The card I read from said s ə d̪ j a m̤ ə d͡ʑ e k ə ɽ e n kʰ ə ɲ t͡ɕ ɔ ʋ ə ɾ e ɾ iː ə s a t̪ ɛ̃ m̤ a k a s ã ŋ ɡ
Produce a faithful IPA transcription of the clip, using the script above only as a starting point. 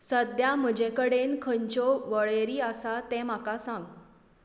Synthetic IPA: s ə d̪ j a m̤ ə d͡ʑ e k ə ɽ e n kʰ ə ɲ t͡ɕ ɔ ʋ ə ɭ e ɾ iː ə s a t̪ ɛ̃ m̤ a k a s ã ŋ ɡ